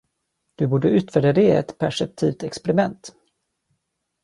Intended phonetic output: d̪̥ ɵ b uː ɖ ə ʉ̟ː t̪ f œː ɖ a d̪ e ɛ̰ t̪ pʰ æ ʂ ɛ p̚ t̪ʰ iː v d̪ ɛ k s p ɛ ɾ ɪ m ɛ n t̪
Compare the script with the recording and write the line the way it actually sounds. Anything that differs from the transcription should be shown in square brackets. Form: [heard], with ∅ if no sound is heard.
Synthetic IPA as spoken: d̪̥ ɵ b uː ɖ ə ʉ̟ː t̪ f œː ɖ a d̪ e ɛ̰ t̪ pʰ æ ʂ ɛ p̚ t̪ʰ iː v [t̪] ɛ k s p ɛ ɾ ɪ m ɛ n t̪